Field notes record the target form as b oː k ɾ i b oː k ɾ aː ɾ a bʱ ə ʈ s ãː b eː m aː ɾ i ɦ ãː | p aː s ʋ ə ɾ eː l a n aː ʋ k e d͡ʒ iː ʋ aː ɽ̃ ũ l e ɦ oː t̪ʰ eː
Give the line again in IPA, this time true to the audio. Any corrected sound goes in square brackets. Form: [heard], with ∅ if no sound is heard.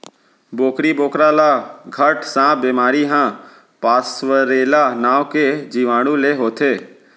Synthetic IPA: b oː k ɾ i b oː k ɾ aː [l] a [ɡʱ] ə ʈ s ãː b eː m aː ɾ i ɦ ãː | p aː s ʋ ə ɾ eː l a n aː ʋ k e d͡ʒ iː ʋ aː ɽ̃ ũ l e ɦ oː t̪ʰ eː